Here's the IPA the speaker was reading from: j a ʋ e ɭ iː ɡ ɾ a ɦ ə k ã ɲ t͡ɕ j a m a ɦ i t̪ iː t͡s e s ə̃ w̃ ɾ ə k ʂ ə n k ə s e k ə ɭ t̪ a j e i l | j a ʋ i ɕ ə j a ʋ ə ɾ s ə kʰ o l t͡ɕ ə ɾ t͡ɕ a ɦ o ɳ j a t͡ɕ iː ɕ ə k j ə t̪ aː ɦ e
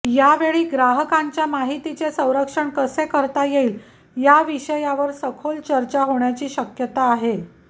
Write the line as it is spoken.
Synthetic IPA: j a ʋ e ɭ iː ɡ ɾ a ɦ ə k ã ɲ t͡ɕ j a m a ɦ i t̪ i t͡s e s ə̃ w̃ ɾ ə k ʂ ə ɳ k ə s e k ə ɾ t̪ a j e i l | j a ʋ i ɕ ə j a ʋ ə ɾ s ə kʰ o l t͡ɕ ə ɾ t͡ɕ a ɦ o ɳ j a t͡ɕ iː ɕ ə k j ə t̪ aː ɦ e